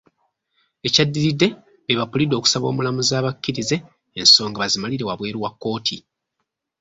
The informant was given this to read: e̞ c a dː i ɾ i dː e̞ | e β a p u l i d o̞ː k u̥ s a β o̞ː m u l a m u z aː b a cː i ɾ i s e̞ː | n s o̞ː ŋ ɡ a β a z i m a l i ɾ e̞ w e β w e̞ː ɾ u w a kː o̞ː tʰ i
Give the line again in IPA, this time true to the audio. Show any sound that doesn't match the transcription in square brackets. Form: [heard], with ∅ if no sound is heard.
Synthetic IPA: e̞ c a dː i ɾ i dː e̞ | e β a p u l i d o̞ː k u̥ s a β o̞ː m u l a m u z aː [β] a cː i ɾ i [z] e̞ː | n s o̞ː ŋ ɡ a β a z i m a l i ɾ e̞ w [a] β w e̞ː ɾ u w a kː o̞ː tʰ i